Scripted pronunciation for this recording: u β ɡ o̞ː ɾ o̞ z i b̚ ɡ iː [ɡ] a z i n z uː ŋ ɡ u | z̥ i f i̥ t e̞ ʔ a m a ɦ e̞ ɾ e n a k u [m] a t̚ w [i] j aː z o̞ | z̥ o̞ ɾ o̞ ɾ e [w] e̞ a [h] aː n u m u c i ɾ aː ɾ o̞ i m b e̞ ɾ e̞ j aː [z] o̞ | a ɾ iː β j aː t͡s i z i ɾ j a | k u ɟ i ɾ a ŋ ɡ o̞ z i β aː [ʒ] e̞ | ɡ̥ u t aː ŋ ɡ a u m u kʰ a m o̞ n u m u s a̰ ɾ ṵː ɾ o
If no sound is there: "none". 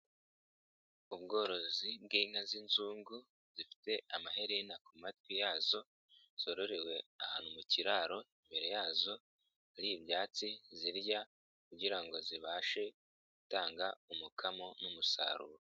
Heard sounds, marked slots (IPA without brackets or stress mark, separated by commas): ŋ, m, i, w, h, z, ʃ